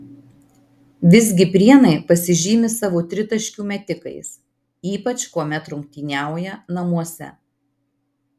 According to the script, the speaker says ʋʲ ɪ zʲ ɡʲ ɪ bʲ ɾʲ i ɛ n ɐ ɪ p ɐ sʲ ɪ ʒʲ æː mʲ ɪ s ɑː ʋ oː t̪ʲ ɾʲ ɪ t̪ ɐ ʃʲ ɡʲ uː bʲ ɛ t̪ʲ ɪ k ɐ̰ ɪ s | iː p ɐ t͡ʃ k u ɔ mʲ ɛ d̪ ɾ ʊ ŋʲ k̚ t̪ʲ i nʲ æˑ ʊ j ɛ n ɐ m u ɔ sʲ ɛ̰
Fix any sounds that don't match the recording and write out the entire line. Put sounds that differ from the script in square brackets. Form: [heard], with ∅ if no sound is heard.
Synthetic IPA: ʋʲ ɪ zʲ ɡʲ ɪ [pʲ] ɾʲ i ɛ n ɐ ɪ p ɐ sʲ ɪ ʒʲ [iː] mʲ ɪ s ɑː ʋ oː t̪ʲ ɾʲ ɪ t̪ ɐ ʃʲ [kʲ] uː [mʲ] ɛ t̪ʲ ɪ k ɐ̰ ɪ s | iː p ɐ t͡ʃ k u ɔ mʲ ɛ [t̪] ɾ ʊ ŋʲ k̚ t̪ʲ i nʲ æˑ ʊ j ɛ n ɐ m u ɔ sʲ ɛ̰